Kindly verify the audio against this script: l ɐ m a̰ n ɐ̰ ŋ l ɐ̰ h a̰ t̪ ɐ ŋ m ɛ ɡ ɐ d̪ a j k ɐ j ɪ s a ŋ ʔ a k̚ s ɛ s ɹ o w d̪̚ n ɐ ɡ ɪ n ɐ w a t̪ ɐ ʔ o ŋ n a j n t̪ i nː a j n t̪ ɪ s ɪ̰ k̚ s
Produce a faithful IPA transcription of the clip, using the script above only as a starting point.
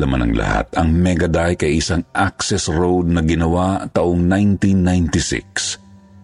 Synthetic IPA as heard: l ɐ m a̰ n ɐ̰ ŋ l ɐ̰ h a̰ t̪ ɐ ŋ m ɛ ɡ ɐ d̪ a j k ɐ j ɪ s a ŋ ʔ a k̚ s ɛ s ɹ o w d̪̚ n ɐ ɡ ɪ n ɐ w a t̪ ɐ ʔ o ŋ n a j n t̪ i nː a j n t̪ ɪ s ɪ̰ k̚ s